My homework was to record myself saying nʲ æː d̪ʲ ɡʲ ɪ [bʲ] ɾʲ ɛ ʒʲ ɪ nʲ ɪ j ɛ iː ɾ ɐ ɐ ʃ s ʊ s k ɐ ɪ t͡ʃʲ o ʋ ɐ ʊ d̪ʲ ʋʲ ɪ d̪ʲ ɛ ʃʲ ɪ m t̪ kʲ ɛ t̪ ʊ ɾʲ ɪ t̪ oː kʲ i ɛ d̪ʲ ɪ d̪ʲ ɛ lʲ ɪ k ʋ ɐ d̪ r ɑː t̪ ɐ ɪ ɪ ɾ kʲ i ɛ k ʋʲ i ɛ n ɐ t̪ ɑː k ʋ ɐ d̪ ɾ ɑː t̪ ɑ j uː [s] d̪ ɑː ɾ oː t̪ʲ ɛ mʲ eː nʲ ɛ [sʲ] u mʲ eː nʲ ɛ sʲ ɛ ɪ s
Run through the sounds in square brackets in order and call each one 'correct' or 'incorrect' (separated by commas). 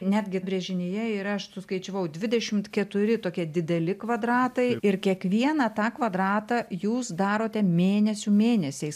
correct, correct, correct